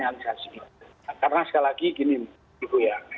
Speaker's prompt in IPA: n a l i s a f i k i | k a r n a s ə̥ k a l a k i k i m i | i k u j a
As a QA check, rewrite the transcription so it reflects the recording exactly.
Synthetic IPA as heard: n a l i s a s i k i | k a r n a s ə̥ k a l a k i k i n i | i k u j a